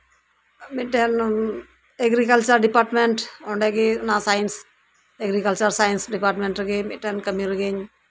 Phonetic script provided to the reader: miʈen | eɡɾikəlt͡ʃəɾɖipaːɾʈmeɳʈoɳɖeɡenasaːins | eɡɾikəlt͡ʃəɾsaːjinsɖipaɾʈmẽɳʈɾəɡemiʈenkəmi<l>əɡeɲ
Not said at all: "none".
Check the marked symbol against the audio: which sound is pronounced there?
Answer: ɾ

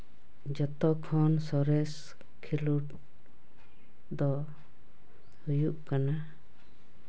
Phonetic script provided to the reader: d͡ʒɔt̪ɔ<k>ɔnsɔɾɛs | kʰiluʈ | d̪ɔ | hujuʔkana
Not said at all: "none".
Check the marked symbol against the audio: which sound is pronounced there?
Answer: kʰ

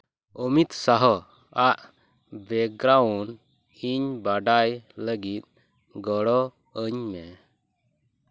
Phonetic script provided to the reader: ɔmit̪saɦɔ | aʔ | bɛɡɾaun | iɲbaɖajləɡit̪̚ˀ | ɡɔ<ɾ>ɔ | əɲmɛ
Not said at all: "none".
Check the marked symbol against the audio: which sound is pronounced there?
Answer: ɽ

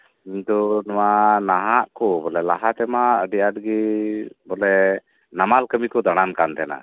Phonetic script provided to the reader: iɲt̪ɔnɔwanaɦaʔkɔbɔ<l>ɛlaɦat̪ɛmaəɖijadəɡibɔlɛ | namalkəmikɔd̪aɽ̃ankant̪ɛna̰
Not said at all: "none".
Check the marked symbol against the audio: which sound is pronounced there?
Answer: l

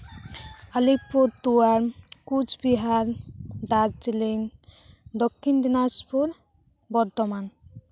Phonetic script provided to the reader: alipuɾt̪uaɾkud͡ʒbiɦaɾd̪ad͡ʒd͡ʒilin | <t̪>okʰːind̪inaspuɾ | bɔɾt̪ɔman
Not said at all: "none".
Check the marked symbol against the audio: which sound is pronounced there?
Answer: d̪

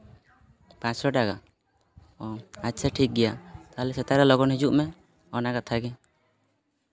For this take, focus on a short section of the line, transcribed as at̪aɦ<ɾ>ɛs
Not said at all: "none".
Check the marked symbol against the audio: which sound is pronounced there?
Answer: l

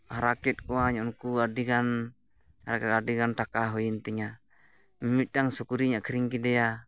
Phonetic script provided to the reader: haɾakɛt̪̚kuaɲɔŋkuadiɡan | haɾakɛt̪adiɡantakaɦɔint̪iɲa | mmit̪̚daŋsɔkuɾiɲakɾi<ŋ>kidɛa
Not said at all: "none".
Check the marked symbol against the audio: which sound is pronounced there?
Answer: ŋ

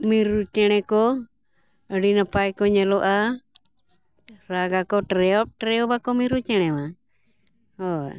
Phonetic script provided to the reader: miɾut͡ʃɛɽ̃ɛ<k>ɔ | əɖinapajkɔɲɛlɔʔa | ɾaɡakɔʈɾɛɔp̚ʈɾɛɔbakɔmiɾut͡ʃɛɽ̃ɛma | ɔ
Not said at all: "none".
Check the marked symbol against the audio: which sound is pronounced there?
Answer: k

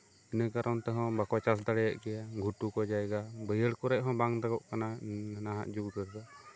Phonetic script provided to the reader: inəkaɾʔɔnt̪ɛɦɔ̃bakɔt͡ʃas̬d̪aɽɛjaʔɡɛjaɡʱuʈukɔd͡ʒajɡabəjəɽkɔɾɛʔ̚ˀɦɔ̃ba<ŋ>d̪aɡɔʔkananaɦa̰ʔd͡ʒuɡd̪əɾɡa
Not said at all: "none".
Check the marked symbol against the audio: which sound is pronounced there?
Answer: ŋ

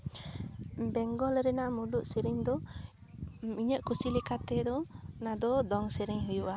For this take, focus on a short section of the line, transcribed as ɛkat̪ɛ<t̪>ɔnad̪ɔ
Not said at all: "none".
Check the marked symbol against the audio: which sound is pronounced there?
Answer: d̪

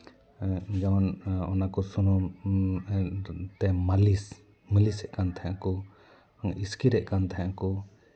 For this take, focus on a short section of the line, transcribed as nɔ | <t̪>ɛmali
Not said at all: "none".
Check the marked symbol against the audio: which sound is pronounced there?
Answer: t̪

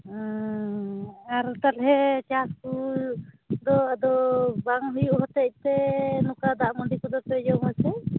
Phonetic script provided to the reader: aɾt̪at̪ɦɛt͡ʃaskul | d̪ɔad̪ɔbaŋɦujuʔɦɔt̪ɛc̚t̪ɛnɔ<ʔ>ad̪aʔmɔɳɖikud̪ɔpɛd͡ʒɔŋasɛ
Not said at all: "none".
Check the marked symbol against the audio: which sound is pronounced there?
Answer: k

